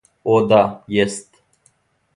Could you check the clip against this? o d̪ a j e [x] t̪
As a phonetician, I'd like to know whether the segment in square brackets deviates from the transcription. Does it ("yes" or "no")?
yes